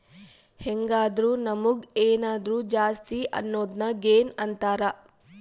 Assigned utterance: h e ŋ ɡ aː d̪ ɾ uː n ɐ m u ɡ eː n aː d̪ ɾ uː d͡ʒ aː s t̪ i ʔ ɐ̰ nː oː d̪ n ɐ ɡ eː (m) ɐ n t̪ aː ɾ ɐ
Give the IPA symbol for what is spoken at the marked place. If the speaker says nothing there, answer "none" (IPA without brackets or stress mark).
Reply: n